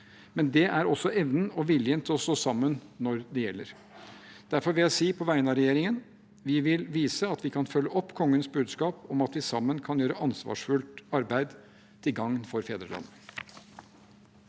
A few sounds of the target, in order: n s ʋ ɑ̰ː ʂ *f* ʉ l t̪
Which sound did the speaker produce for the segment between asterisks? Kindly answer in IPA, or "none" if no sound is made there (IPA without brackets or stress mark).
f